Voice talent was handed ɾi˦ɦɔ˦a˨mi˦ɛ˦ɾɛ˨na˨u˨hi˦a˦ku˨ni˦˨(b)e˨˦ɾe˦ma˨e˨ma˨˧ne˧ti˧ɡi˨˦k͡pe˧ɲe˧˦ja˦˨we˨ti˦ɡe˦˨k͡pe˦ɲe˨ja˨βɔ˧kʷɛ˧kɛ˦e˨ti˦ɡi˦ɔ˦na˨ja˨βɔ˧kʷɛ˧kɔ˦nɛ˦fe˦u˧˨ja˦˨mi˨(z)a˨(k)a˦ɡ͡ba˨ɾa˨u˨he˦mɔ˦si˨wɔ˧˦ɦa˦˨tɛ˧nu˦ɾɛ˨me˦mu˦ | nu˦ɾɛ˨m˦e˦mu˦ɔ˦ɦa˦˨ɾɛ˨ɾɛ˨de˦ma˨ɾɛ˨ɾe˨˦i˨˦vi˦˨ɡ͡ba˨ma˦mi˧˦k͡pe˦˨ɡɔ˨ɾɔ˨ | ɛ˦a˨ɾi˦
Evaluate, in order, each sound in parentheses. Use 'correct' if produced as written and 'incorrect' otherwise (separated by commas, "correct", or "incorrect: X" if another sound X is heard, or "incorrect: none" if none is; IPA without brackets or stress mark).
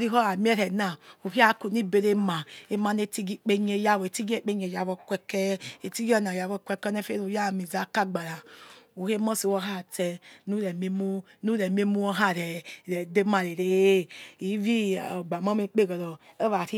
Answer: correct, correct, correct